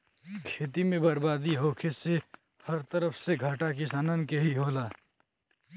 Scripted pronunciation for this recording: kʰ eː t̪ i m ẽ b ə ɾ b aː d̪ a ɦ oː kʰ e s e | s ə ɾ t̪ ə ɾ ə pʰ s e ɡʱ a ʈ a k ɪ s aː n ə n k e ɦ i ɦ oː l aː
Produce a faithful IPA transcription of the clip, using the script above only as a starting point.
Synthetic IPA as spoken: kʰ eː t̪ i m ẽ b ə ɾ b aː d̪ i ɦ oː kʰ e s e | h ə ɾ t̪ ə ɾ ə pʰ s e ɡʱ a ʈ a k ɪ s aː n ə n k e ɦ i ɦ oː l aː